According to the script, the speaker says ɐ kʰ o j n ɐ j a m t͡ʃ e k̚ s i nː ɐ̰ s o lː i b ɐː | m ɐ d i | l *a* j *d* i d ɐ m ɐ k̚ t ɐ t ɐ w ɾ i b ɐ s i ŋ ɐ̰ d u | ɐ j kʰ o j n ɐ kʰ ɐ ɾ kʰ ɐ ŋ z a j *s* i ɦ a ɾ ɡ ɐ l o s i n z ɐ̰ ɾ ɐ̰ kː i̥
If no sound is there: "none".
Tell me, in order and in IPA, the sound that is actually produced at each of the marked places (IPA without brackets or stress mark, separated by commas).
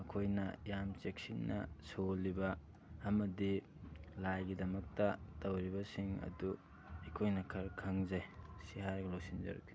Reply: a, ɡ, s